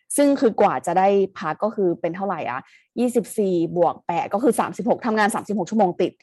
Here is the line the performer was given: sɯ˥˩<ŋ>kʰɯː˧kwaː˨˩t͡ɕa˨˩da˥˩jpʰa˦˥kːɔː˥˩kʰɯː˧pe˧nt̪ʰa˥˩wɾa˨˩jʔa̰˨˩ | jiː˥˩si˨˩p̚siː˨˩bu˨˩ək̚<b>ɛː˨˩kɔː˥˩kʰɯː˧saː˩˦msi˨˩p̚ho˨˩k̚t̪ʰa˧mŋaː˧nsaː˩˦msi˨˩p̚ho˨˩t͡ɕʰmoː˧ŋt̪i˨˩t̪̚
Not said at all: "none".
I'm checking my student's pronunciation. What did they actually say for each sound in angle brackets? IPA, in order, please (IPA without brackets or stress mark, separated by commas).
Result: ŋ, p